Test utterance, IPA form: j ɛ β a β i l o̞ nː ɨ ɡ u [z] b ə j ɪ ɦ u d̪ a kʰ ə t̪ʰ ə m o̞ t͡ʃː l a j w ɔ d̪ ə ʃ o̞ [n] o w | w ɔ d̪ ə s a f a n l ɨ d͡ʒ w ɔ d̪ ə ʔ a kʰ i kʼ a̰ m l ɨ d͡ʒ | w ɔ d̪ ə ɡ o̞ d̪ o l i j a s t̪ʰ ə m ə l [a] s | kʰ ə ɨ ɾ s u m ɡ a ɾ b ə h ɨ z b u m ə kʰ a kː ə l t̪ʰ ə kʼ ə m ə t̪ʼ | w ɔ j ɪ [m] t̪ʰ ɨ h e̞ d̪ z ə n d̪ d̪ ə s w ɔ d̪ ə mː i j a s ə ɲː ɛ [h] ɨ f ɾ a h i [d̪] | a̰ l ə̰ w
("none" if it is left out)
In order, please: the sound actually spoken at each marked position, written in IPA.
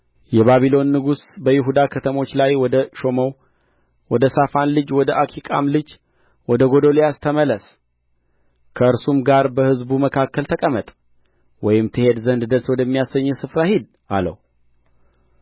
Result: s, m, ə, m, s, d̪

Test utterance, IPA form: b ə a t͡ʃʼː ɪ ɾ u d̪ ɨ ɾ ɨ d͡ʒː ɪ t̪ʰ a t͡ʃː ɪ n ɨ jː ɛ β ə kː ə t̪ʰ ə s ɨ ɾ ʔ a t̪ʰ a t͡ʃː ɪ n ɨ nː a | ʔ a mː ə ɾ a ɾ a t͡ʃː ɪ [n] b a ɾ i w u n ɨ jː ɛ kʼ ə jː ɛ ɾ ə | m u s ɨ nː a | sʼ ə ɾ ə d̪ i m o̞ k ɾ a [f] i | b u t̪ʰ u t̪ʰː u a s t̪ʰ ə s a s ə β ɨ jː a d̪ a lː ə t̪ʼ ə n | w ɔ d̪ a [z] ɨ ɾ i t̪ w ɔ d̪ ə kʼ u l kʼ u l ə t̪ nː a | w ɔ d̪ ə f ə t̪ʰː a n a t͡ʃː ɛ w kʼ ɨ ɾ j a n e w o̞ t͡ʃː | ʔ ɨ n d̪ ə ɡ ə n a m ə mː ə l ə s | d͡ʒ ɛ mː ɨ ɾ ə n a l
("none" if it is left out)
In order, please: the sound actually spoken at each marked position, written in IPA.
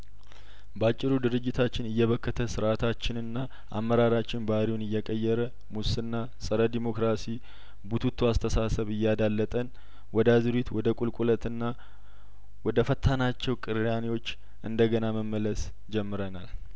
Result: n, s, z

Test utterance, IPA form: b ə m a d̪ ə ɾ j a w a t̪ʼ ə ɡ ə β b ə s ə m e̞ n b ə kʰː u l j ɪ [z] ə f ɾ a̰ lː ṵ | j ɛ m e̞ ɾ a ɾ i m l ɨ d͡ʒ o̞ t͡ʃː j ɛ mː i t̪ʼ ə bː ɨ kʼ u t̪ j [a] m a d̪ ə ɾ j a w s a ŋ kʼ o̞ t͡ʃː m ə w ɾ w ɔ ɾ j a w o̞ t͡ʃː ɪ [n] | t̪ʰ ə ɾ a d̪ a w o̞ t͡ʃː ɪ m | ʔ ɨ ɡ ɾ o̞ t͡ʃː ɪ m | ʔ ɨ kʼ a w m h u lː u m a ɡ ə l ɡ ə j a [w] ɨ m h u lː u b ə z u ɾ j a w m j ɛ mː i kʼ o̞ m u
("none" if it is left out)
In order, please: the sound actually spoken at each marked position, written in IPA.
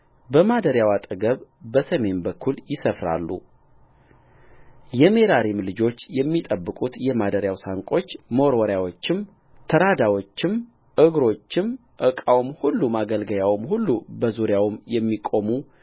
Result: s, ɛ, m, w

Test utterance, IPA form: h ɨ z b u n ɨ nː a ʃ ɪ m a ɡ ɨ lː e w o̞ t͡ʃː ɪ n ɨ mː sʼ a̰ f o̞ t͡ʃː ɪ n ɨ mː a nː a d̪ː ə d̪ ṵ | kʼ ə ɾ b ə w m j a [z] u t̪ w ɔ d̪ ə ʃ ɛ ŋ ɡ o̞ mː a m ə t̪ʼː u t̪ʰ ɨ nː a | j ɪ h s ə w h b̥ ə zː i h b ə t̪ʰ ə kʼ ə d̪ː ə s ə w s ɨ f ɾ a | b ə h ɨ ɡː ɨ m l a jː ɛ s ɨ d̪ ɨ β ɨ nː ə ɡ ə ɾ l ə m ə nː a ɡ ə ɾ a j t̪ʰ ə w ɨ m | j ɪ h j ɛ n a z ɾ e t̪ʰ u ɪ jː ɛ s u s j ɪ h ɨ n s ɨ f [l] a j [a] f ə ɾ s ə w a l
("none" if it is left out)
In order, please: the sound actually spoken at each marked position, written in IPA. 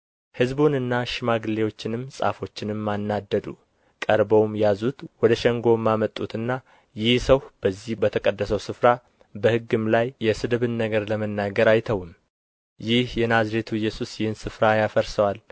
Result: z, ɾ, a

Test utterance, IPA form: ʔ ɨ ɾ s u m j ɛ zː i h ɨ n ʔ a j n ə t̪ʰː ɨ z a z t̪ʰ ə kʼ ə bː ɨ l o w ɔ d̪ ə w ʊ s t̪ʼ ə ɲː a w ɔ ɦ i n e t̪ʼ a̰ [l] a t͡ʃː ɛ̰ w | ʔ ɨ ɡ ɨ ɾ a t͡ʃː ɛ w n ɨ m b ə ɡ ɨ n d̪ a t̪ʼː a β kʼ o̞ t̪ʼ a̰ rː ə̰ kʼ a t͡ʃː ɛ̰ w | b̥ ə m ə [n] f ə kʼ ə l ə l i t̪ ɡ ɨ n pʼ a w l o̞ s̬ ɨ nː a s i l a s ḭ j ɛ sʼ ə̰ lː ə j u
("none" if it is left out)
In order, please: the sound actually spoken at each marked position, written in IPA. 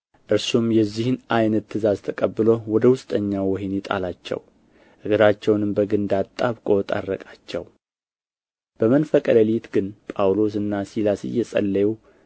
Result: l, n

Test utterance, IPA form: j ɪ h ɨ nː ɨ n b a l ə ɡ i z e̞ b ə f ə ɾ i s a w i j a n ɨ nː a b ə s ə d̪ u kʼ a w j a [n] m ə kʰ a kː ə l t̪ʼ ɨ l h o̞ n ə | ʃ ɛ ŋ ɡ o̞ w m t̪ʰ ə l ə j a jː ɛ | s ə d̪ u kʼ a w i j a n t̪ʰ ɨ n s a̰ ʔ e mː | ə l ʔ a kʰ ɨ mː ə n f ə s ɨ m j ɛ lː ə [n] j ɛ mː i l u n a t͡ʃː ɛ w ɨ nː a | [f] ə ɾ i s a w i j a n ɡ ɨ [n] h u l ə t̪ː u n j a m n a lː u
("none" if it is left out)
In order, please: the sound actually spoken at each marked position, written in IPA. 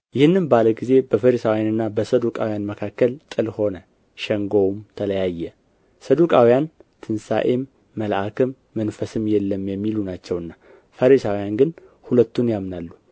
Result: n, m, f, n

